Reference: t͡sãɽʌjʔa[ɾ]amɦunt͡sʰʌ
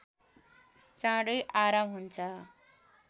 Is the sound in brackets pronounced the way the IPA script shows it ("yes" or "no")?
yes